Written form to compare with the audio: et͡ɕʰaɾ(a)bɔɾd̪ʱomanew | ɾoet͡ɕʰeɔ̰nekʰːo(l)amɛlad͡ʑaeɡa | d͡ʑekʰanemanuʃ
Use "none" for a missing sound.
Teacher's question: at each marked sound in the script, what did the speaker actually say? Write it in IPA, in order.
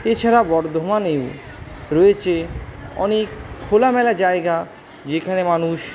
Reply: a, l

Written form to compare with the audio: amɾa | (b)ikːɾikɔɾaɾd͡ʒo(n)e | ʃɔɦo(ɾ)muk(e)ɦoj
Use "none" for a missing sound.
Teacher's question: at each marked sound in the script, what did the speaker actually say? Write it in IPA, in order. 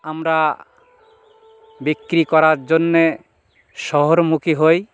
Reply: b, nː, ɾ, i

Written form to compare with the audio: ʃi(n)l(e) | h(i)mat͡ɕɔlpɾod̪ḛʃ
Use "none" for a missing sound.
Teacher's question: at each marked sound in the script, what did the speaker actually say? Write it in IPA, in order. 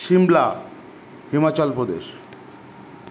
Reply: m, a, i

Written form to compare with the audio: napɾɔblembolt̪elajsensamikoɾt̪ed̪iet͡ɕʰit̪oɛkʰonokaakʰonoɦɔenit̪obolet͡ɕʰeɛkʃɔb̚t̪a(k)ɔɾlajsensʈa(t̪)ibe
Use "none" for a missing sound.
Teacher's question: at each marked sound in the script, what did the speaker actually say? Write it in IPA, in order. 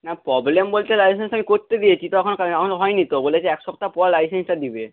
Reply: p, d̪

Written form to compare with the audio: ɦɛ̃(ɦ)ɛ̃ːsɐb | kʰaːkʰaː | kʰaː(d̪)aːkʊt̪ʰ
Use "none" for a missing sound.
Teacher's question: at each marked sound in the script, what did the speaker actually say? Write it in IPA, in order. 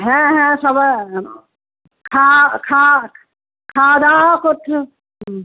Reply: ɦ, d̪

